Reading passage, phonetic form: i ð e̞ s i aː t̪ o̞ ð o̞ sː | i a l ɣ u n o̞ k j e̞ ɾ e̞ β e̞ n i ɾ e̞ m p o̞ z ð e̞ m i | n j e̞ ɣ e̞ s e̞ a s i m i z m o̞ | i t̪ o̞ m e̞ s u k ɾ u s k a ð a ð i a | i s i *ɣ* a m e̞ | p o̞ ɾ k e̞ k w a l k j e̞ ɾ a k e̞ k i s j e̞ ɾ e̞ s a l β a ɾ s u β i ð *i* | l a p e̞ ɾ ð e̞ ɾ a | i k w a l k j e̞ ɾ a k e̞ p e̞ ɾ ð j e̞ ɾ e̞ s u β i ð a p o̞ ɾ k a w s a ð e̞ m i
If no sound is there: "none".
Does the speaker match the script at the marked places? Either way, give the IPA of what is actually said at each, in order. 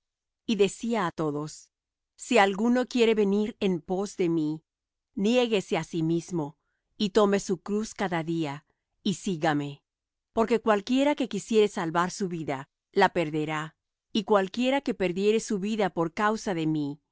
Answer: ɣ, a

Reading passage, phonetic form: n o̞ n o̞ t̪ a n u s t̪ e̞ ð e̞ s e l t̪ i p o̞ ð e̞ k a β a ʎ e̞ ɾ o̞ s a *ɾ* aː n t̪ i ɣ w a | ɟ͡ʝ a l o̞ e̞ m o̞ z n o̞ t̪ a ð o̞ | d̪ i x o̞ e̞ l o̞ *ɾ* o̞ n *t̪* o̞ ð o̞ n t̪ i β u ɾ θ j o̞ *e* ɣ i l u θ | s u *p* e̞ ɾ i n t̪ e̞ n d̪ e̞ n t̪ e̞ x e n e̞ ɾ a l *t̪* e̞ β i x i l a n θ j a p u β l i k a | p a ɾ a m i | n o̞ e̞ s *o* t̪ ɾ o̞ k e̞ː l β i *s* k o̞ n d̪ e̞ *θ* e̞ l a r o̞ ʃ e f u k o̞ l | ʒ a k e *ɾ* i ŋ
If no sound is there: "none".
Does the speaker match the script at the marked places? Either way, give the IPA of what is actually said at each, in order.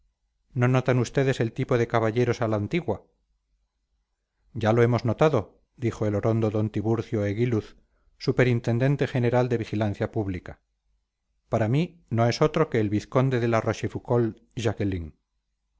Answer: l, ɾ, d̪, e, p, d̪, o, θ, ð, l

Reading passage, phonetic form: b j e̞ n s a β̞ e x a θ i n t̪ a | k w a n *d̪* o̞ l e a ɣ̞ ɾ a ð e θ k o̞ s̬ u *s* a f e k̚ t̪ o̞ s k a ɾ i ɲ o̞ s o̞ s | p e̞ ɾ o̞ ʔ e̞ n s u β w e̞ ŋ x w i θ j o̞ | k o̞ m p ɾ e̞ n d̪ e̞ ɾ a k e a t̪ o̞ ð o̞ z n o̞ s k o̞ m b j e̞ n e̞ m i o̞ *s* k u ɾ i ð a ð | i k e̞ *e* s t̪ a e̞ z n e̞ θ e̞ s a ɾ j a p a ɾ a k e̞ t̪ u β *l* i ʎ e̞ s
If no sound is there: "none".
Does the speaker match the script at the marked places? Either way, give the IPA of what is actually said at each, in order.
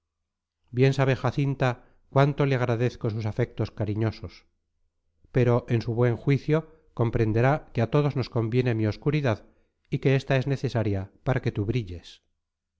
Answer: t̪, s, s, e, ɾ

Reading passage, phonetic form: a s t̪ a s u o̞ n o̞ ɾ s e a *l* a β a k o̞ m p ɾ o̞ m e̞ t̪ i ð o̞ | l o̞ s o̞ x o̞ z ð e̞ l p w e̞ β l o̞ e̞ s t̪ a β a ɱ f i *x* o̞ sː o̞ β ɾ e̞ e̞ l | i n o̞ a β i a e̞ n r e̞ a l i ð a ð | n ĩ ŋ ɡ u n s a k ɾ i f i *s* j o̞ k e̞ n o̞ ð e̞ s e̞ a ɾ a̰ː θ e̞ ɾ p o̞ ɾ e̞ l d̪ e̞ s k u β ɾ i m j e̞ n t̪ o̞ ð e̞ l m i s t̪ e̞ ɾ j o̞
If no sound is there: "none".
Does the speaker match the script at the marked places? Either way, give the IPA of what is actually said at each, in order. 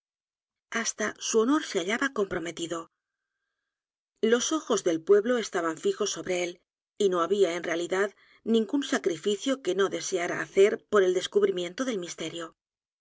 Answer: ʎ, x, θ

